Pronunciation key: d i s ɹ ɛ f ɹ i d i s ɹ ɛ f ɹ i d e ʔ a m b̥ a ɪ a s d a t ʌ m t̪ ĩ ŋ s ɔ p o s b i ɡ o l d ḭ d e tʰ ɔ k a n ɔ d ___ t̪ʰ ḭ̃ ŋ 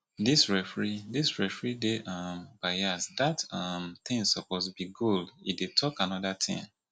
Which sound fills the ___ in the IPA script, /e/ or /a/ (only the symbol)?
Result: a